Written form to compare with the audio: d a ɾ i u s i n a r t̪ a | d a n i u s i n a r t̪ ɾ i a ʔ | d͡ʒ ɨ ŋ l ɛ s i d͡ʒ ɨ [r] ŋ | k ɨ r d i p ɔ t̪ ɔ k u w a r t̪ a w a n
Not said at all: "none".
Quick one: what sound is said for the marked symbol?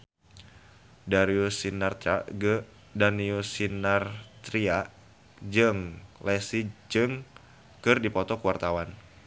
none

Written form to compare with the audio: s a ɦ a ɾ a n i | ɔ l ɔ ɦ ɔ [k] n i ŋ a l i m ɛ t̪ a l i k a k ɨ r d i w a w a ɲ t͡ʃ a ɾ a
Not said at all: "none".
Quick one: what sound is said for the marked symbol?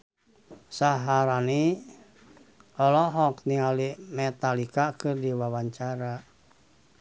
k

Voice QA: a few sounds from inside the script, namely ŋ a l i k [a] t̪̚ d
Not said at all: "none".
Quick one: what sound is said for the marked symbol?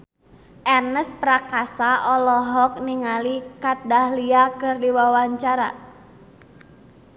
a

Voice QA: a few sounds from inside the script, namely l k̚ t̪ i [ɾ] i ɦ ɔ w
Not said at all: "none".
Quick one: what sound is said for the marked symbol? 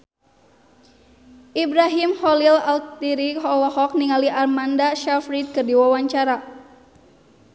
ɾ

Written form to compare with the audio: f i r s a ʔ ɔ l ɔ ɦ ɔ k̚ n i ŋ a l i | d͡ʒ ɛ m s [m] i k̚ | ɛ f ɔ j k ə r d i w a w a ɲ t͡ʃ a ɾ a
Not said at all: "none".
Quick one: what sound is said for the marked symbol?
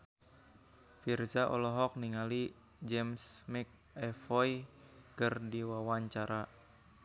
m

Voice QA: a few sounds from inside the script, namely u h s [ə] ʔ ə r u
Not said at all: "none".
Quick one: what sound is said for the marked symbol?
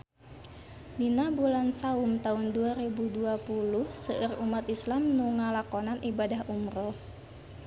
ə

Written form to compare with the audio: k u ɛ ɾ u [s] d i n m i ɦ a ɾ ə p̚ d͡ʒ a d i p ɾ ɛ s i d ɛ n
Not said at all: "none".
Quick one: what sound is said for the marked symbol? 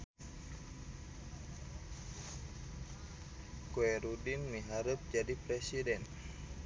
none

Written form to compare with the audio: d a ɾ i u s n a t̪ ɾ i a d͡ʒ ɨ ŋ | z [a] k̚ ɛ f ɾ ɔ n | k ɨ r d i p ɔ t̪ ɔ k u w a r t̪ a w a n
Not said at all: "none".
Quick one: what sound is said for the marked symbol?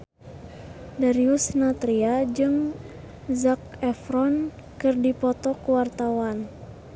a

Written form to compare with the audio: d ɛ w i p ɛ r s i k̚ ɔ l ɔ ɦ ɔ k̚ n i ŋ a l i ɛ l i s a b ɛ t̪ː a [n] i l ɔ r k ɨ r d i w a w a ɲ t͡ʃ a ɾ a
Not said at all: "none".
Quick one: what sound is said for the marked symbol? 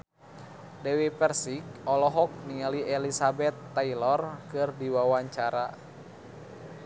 none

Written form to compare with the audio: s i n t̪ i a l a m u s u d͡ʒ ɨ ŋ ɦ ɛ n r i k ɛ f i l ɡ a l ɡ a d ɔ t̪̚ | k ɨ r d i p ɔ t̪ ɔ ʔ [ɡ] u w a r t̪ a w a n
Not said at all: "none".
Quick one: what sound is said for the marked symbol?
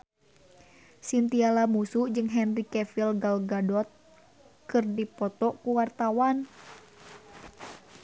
k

